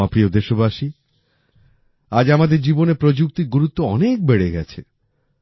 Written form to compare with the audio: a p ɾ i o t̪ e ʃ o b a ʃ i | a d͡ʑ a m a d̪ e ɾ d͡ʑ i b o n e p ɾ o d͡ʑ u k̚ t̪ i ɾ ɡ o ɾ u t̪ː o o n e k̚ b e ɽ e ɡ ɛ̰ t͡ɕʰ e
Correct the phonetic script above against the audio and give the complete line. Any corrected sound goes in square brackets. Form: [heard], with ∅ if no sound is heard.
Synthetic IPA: a p ɾ i o [d̪] e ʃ o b a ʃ i | a d͡ʑ a m a d̪ e ɾ d͡ʑ i b o n e p ɾ o d͡ʑ u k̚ t̪ i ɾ ɡ [u] ɾ u t̪ː o [ɔ] n e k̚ b e ɽ e ɡ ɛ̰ t͡ɕʰ e